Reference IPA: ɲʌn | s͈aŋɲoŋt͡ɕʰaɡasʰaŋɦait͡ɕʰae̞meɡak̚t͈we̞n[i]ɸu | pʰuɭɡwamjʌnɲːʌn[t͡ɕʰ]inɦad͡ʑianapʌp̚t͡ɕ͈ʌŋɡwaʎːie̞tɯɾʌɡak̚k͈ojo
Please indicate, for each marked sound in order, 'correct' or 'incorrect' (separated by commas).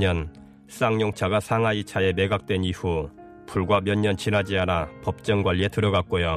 correct, incorrect